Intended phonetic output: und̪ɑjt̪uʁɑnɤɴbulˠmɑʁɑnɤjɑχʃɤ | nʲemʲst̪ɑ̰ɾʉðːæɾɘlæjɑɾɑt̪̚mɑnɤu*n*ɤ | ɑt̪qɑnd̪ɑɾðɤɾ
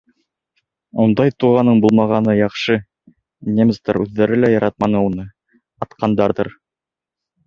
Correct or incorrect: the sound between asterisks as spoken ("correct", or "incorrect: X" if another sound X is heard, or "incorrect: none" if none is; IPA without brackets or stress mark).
correct